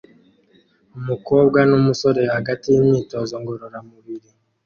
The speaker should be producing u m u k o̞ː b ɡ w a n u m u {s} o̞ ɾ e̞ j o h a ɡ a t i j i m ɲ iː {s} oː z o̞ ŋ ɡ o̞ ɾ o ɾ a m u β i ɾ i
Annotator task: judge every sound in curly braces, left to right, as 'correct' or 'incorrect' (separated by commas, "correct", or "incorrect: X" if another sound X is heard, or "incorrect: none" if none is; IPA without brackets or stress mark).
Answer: correct, incorrect: t